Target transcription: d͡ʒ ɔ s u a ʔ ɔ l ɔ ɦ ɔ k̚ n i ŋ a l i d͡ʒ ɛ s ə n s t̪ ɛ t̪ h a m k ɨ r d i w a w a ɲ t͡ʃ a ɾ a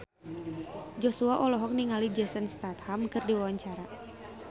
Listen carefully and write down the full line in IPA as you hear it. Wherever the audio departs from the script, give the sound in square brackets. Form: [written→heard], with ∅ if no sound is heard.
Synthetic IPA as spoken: d͡ʒ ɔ s u a ʔ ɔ l ɔ ɦ ɔ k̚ n i ŋ a l i d͡ʒ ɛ s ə n s t̪ [ɛ→a] t̪ h a m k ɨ r d i w a w a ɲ t͡ʃ a ɾ a